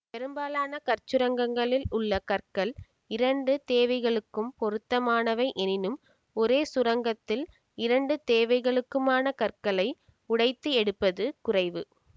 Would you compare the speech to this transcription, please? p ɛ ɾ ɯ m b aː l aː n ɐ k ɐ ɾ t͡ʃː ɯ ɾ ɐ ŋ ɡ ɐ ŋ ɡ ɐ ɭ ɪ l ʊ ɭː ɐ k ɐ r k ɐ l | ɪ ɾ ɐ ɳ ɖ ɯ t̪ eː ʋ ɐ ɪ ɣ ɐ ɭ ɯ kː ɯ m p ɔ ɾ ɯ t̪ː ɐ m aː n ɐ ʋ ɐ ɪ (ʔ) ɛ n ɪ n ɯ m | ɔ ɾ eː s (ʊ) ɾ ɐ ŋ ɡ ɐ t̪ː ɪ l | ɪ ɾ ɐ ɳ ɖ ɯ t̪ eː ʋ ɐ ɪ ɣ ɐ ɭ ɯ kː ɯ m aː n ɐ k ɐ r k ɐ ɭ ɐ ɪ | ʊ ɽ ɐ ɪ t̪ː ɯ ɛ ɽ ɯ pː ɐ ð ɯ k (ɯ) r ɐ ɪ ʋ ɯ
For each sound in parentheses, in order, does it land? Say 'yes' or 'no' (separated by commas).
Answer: yes, yes, no